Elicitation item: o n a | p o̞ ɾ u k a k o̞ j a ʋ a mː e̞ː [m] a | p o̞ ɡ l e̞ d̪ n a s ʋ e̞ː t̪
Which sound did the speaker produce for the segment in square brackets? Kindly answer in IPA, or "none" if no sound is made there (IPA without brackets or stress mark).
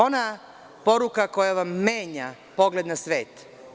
ɲ